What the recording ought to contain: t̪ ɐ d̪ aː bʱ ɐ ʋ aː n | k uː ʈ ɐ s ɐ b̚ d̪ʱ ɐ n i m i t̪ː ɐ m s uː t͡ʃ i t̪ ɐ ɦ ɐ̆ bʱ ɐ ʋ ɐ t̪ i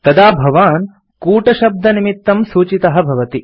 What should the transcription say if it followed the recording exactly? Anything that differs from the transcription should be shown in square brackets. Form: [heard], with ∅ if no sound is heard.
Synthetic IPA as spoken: t̪ ɐ d̪ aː bʱ ɐ ʋ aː n | k uː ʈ ɐ [ʃ] ɐ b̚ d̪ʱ ɐ n i m i t̪ː ɐ m s uː t͡ʃ i t̪ ɐ ɦ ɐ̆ bʱ ɐ ʋ ɐ t̪ i